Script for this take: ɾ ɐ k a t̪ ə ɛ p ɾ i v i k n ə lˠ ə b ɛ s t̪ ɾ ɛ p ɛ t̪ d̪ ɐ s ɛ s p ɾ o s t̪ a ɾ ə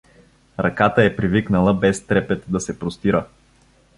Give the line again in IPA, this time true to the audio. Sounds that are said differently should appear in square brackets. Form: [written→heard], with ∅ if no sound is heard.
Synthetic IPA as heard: ɾ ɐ k a t̪ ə ɛ p ɾ i v i k n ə lˠ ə b ɛ s t̪ ɾ ɛ p ɛ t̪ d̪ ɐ s ɛ [s→∅] p ɾ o s t̪ [a→i] ɾ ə